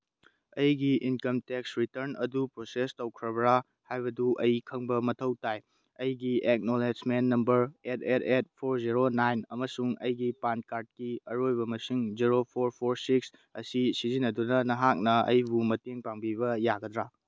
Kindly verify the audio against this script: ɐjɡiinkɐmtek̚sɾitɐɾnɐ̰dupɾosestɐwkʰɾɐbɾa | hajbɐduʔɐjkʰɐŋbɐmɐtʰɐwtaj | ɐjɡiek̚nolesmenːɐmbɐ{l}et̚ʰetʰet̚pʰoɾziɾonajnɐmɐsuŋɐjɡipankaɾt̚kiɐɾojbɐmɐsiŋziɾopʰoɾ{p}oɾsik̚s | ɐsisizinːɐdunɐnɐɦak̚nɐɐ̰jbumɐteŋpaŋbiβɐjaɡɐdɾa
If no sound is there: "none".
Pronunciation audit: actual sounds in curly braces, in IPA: ɾ, pʰ

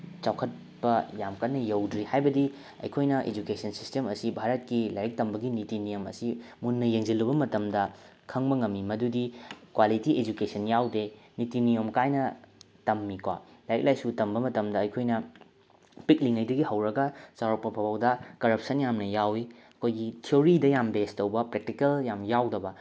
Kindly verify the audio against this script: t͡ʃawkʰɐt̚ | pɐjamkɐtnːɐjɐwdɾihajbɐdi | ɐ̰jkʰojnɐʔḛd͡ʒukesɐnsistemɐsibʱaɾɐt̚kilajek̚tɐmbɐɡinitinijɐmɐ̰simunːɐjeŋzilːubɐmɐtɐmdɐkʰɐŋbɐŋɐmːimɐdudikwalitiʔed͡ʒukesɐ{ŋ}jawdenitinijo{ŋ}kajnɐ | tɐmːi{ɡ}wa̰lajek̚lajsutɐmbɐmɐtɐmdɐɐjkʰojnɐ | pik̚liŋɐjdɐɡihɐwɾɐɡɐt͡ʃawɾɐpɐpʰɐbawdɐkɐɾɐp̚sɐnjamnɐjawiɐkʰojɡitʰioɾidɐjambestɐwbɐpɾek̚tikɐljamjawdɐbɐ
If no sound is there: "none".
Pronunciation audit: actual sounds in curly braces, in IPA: n, m, k

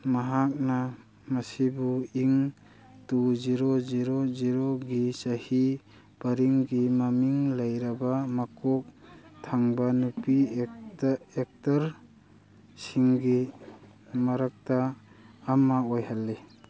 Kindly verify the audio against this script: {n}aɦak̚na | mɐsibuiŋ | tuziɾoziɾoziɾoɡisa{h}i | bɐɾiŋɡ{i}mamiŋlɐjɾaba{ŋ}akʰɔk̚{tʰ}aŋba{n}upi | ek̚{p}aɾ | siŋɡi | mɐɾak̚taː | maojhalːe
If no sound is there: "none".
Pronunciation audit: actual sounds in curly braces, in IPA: m, h, i, m, tʰ, n, t

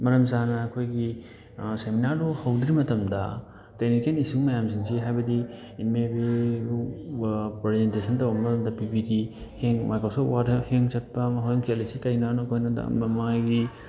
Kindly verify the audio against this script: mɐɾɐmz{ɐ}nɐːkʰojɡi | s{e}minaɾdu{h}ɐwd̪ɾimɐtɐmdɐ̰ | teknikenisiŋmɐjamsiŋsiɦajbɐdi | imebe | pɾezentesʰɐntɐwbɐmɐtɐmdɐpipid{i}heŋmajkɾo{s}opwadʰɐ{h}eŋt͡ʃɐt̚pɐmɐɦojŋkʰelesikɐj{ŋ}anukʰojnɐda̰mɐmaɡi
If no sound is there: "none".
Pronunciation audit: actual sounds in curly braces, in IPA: a, e, h, i, s, h, n

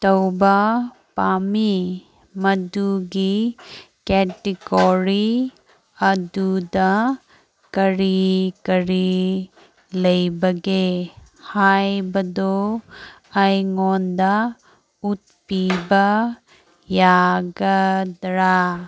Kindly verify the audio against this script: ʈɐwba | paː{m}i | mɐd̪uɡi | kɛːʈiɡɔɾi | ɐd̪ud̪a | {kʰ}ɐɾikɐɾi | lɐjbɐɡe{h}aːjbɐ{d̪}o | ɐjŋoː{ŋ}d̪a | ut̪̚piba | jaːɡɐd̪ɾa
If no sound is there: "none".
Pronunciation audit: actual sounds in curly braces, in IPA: m, k, h, d̪, n

